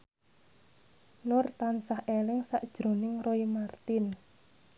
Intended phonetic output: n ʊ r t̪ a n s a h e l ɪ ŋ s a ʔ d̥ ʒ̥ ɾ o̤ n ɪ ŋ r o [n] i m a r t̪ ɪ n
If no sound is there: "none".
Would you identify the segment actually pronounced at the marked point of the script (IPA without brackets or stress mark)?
none